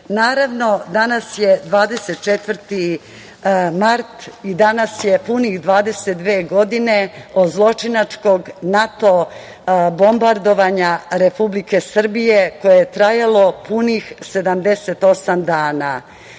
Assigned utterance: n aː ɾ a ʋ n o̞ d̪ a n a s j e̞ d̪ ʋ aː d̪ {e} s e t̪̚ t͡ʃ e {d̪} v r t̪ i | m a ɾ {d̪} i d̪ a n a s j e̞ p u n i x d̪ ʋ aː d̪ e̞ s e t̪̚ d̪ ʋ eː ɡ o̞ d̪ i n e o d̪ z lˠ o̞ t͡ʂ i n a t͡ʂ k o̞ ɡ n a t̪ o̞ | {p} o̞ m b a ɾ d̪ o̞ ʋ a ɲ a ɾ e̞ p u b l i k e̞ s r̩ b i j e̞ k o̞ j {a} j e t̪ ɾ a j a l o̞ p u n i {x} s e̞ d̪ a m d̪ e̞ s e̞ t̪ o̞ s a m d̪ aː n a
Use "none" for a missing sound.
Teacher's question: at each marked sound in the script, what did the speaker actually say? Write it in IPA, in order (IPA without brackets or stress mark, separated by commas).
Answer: e, t̪, t̪, b, e, x